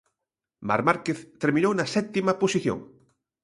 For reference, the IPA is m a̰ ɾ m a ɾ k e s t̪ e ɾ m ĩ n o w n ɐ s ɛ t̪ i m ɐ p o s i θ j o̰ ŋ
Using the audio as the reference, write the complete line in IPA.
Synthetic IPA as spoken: m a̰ ɾ m a ɾ k e θ t̪ e ɾ m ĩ n o w n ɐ s ɛ t̪ i m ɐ p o s i θ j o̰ ŋ